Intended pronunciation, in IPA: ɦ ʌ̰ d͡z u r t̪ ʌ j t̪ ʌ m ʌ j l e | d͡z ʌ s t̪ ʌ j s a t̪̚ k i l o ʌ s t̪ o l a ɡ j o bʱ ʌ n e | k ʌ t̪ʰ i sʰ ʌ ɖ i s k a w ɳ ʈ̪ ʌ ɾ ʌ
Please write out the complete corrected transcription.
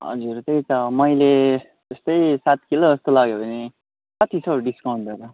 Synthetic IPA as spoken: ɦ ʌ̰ d͡z u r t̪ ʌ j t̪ ʌ m ʌ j l e | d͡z ʌ s t̪ ʌ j s a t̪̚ k i l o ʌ s t̪ o l a ɡ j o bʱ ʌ n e | k ʌ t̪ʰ i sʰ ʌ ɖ i s k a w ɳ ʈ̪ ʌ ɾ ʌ